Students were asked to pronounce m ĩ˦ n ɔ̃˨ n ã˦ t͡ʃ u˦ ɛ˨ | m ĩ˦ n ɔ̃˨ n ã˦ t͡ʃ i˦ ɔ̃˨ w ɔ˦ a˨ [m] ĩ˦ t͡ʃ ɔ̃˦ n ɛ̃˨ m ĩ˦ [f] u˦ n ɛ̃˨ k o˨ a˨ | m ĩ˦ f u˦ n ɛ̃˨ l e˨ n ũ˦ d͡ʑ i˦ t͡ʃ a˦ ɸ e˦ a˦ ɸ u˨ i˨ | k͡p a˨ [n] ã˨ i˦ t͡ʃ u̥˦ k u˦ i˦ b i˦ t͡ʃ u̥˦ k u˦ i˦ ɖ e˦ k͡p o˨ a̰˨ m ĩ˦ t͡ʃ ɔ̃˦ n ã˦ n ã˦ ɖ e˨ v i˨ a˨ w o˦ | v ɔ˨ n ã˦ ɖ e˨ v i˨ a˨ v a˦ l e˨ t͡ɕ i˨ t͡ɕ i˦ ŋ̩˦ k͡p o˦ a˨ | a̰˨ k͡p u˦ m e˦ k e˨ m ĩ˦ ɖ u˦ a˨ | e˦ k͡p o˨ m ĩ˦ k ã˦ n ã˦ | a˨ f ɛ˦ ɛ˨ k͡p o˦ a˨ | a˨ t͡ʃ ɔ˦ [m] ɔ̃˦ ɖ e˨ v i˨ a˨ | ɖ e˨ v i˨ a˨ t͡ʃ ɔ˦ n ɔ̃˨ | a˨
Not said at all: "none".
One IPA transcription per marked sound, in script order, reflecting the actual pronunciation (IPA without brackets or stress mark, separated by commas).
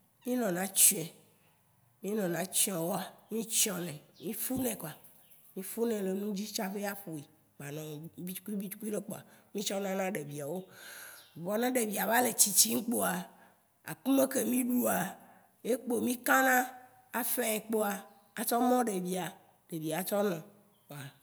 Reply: m, f, n, m